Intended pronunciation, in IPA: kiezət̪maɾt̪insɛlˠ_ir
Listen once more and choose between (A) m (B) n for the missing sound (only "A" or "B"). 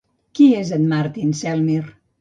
A